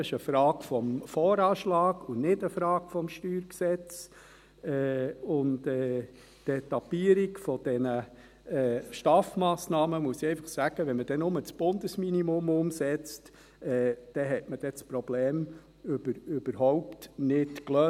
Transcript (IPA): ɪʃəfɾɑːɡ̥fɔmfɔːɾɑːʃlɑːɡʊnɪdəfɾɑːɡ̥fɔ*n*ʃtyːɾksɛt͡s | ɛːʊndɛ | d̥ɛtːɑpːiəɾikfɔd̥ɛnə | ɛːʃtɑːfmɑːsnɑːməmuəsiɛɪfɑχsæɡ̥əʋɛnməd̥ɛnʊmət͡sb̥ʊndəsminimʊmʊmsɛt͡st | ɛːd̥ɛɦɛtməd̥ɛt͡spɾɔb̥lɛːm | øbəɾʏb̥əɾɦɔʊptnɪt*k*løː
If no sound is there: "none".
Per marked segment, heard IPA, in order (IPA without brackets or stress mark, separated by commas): m, k